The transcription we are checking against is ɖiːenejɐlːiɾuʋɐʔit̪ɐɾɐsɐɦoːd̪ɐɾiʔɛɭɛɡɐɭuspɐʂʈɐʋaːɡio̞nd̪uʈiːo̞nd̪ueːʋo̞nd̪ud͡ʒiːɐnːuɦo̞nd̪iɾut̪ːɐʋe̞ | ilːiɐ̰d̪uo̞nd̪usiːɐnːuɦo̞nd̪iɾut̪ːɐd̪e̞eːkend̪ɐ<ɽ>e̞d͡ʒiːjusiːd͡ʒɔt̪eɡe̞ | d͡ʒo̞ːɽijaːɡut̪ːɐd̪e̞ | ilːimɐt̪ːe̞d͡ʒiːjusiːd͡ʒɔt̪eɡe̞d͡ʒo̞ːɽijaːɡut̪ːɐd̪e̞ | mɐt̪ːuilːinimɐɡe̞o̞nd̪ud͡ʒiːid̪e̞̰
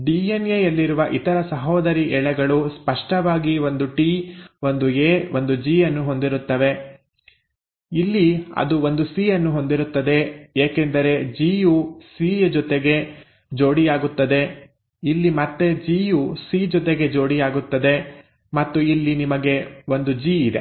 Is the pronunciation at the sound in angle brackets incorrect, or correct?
incorrect